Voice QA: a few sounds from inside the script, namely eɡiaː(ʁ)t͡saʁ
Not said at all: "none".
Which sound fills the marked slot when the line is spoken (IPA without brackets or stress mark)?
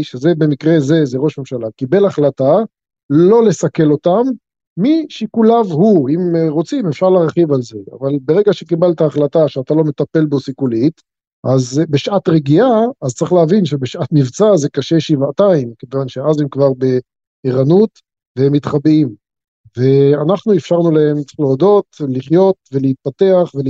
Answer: z